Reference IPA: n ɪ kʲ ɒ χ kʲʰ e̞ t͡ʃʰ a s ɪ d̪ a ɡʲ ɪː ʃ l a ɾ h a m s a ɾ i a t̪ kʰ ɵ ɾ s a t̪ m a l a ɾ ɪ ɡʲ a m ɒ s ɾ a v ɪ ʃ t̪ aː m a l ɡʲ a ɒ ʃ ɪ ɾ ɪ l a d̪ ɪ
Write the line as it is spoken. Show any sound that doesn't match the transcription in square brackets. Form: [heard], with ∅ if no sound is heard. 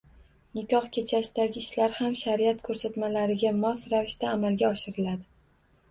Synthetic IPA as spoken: n ɪ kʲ ɒ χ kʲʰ e̞ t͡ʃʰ a s ɪ d̪ a ɡʲ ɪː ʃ l a ɾ h a m [ʃ] a ɾ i a t̪ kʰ ɵ ɾ s a t̪ m a l a ɾ ɪ ɡʲ a m ɒ s ɾ a v ɪ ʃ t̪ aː m a l ɡʲ a ɒ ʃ ɪ ɾ ɪ l a d̪ ɪ